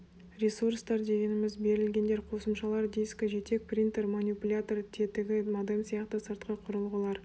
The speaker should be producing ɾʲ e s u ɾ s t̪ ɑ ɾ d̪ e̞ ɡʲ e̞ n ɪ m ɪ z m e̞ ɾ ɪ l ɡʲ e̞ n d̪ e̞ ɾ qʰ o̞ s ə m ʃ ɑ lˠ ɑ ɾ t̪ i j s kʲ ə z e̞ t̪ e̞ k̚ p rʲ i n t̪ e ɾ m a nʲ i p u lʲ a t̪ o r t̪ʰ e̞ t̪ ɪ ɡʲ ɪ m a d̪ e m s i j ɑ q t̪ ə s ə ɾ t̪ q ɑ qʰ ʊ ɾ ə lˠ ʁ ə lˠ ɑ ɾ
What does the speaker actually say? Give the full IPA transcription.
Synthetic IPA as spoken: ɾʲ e s u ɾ s t̪ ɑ ɾ d̪ e̞ ɡʲ e̞ n ɪ m ɪ z b e̞ ɾ ɪ l ɡʲ e̞ n d̪ e̞ ɾ qʰ o̞ s ə m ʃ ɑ lˠ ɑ ɾ d̪ i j s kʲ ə ʒ e̞ t̪ e̞ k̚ p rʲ i n t̪ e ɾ m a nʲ i p u lʲ a t̪ o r t̪ʰ e̞ t̪ ɪ ɡʲ ɪ m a d̪ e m s i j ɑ q t̪ ə s ə ɾ t̪ q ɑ qʰ ʊ ɾ ə lˠ ʁ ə lˠ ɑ ɾ